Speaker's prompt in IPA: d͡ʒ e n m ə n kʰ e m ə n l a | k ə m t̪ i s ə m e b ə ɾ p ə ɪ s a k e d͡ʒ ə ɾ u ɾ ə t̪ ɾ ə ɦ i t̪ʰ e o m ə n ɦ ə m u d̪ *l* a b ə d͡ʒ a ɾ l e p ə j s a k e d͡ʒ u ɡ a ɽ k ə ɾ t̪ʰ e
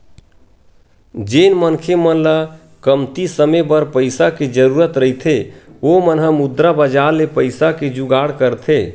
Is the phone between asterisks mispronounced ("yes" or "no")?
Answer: yes